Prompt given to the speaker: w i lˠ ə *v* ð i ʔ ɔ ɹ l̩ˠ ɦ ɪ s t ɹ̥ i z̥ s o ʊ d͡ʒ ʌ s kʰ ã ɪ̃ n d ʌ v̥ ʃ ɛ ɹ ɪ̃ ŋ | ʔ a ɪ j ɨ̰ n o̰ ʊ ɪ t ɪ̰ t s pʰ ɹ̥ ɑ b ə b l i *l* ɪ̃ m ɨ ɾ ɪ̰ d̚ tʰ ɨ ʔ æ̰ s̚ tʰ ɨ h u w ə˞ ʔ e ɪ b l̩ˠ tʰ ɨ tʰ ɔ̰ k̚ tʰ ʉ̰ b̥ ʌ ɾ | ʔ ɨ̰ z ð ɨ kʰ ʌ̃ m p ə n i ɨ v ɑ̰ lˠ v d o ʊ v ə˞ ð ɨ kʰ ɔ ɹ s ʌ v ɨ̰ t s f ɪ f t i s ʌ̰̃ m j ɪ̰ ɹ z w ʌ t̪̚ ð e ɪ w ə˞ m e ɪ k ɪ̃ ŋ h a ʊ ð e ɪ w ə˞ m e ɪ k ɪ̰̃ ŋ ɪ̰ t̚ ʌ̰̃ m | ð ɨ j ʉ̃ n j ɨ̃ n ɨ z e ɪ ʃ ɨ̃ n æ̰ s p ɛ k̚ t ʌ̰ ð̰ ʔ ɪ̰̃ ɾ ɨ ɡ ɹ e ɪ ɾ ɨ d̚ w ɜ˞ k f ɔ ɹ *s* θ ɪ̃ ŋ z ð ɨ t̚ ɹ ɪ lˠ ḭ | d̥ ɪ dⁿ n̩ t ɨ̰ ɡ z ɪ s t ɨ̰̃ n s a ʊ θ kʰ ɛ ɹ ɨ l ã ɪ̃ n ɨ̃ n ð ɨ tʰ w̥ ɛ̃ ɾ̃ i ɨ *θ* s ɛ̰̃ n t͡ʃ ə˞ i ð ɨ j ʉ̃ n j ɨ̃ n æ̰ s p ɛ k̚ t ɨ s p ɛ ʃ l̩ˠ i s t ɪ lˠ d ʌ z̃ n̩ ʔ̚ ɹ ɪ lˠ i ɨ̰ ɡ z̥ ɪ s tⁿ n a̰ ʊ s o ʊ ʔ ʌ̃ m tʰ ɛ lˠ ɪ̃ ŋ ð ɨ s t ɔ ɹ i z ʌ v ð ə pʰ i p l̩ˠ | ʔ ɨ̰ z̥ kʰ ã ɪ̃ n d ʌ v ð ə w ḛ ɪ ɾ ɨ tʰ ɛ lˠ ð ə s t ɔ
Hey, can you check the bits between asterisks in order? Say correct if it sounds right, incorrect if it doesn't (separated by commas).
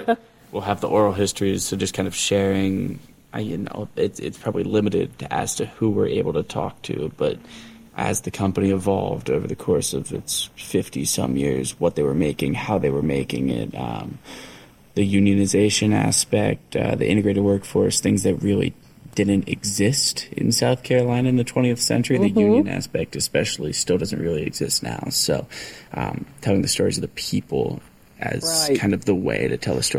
correct, correct, correct, correct